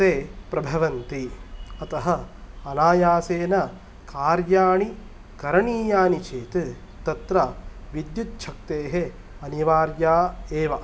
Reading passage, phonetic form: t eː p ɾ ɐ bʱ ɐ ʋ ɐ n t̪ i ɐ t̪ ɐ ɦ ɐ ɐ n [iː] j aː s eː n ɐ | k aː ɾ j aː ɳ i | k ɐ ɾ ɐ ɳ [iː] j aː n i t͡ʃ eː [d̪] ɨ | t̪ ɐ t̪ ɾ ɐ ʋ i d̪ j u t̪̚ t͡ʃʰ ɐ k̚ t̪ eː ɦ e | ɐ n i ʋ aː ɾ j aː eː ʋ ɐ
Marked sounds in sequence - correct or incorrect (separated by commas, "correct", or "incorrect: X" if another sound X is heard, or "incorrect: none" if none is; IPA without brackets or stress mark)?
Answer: incorrect: aː, correct, incorrect: t̪